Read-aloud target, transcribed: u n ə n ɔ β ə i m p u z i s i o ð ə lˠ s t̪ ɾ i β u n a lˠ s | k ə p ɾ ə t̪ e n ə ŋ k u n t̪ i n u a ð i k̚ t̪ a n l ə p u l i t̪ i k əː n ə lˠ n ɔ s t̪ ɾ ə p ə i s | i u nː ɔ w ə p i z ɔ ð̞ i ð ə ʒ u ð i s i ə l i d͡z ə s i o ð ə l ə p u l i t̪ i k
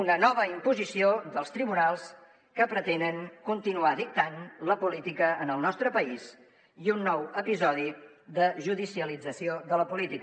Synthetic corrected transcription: u n ə n ɔ β ə i m p u z i s i o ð ə lˠ s t̪ ɾ i β u n a lˠ s | k ə p ɾ ə t̪ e n ə ŋ k u n t̪ i n u a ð i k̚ t̪ a n l ə p u l i t̪ i k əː n ə lˠ n ɔ s t̪ ɾ ə p ə i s | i u nː ɔ w ə p i z ɔ ð̞ i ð ə ʒ u ð i s i ə l i d͡z ə s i o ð ə l ə p u l i t̪ i k